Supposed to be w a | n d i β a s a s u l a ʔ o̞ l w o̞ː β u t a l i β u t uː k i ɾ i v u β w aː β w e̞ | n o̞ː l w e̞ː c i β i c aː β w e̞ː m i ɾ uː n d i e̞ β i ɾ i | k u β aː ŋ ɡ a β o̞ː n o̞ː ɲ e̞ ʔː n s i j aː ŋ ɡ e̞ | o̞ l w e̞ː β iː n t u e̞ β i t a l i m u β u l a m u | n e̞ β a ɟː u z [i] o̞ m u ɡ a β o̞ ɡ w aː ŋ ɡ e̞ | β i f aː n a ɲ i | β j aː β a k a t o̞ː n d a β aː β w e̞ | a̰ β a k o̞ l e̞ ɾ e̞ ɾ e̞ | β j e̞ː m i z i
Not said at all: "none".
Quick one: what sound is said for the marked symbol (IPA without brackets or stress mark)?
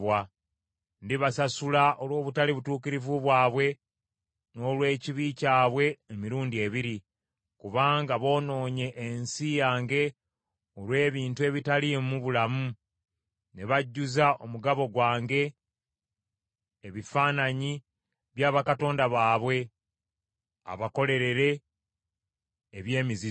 a